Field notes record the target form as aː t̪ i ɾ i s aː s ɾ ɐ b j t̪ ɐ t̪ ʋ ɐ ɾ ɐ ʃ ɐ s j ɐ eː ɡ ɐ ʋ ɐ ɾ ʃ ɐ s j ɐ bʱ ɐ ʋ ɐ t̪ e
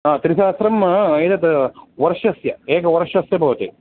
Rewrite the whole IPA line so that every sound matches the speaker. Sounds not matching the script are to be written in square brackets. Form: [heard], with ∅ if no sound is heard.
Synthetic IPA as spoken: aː t̪ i ɾ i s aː s ɾ ɐ [m] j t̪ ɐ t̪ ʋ ɐ ɾ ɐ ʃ ɐ s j ɐ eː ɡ ɐ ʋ ɐ ɾ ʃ ɐ s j ɐ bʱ ɐ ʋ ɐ t̪ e